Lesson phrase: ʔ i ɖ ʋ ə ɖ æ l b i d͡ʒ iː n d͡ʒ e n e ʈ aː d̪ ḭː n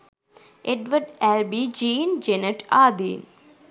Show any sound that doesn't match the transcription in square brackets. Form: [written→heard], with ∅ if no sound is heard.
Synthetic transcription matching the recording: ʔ [i→e] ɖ ʋ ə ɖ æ l b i d͡ʒ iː n d͡ʒ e n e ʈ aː d̪ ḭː n